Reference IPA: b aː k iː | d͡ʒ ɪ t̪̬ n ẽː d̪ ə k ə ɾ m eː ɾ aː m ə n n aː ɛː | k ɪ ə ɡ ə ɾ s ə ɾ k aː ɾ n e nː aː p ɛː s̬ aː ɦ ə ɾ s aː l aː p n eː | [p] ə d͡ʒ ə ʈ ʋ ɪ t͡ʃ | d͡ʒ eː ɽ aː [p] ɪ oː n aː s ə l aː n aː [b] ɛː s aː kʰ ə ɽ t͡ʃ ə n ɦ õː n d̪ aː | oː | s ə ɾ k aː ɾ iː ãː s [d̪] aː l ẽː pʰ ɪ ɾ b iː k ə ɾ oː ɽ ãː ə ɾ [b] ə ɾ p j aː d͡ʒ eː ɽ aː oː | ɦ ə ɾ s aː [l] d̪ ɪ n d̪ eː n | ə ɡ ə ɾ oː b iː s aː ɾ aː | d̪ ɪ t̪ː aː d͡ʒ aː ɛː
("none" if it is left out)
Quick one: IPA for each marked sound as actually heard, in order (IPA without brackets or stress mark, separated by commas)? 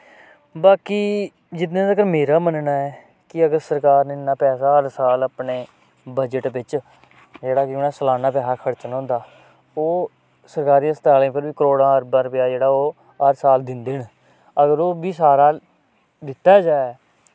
b, k, p, t̪, b, l